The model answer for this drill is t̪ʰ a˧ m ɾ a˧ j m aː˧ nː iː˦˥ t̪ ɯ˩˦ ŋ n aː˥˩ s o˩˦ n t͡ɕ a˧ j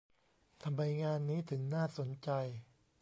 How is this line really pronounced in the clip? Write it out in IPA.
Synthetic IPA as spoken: t̪ʰ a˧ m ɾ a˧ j ŋ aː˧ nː iː˦˥ t̪ʰ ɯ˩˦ ŋ n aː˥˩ s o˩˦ n t͡ɕ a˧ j